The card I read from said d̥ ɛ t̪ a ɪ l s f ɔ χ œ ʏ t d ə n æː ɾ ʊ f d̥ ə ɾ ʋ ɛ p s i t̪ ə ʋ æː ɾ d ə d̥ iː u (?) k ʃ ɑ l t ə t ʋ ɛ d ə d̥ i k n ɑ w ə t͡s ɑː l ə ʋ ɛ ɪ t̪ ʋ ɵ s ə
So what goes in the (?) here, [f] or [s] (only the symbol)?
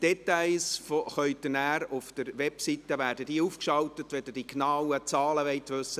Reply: f